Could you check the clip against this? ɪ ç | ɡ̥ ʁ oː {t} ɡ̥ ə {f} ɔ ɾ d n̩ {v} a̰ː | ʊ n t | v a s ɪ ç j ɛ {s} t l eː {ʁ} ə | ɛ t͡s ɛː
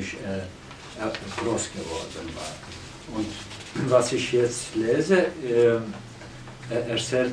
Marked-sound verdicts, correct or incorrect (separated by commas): incorrect, incorrect, correct, incorrect, incorrect